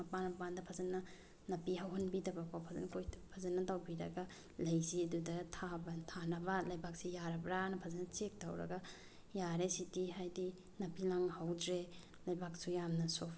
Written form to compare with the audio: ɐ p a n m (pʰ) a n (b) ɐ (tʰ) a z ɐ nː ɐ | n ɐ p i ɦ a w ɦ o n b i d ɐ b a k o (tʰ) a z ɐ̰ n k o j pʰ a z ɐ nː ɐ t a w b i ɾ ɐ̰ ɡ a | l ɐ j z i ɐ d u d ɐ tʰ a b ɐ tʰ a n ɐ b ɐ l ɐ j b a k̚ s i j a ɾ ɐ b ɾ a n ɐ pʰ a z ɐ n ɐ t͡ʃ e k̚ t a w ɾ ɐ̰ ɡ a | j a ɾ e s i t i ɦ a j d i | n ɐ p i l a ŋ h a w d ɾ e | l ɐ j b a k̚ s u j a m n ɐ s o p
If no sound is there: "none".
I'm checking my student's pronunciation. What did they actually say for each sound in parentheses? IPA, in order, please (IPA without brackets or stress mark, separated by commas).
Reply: p, d, pʰ, pʰ